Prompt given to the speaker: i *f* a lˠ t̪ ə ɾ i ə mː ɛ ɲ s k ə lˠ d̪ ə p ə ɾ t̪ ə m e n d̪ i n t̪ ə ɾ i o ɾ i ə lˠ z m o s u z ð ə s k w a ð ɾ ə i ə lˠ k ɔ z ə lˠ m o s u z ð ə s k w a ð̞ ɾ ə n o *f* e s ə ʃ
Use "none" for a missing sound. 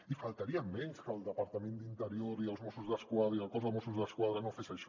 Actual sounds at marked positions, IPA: f, f

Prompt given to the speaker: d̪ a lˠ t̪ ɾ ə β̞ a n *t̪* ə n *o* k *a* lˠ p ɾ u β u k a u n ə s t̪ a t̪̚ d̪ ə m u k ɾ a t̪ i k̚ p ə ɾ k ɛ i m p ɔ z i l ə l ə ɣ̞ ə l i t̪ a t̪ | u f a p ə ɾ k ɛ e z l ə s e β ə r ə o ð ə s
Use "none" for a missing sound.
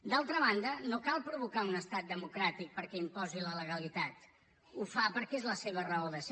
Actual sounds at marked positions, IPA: d̪, o, a

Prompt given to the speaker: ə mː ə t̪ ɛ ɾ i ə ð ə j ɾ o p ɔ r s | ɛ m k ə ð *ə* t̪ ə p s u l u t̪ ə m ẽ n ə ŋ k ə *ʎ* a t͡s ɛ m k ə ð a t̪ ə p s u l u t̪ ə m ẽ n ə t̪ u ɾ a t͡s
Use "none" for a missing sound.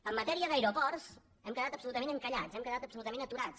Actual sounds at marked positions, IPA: a, ʎ

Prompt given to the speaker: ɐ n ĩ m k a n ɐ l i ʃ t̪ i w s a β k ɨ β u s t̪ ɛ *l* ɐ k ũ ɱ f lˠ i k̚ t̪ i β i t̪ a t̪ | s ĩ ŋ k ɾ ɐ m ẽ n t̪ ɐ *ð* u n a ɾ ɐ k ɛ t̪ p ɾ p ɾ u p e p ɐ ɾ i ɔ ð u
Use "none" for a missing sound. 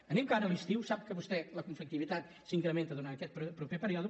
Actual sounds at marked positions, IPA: l, ð

